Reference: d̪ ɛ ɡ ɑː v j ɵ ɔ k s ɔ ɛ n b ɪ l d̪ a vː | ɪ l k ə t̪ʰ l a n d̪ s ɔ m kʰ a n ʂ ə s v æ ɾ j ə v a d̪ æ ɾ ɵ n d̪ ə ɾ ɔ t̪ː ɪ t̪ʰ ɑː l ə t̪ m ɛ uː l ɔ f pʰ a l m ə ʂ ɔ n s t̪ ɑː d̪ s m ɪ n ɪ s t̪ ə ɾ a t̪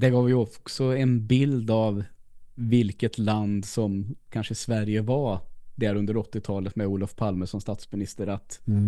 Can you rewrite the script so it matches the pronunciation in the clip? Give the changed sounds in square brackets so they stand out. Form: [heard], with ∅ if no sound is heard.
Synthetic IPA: d̪ ɛ ɡ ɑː v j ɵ ɔ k s ɔ ɛ n b ɪ l d̪ a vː | ɪ l k ə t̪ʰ l a n d̪ s ɔ m kʰ a n ʂ ə s v æ ɾ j ə v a d̪ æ ɾ ɵ n d̪ ə ɾ ɔ t̪ː ɪ t̪ʰ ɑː l ə t̪ m ɛ uː l ɔ f pʰ a l m ə ʂ ɔ n s t̪ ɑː [t̪] s m ɪ n ɪ s t̪ ə ɾ a t̪